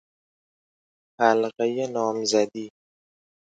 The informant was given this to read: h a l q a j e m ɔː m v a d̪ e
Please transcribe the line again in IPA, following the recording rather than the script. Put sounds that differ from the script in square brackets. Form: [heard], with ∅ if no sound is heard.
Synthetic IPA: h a l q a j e [n] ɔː m [z] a d̪ [i]